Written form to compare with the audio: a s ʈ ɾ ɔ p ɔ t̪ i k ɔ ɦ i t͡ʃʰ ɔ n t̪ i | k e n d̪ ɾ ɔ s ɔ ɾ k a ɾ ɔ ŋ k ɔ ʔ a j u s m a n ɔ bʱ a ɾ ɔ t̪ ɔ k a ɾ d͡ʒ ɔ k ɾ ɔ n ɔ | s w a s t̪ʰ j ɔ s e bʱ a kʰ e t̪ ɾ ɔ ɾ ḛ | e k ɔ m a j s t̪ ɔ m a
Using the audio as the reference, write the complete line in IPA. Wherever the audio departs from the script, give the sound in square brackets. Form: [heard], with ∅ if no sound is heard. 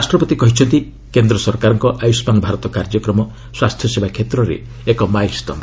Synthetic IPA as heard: a s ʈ ɾ ɔ p ɔ t̪ i k ɔ ɦ i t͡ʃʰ ɔ n t̪ i | k e n d̪ ɾ ɔ s ɔ ɾ k a ɾ ɔ ŋ k ɔ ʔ a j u s m a n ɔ bʱ a ɾ ɔ t̪ ɔ k a ɾ d͡ʒ ɔ k ɾ ɔ [m] ɔ | s w a s t̪ʰ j ɔ s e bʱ a kʰ e t̪ ɾ ɔ ɾ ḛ | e k ɔ m a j s t̪ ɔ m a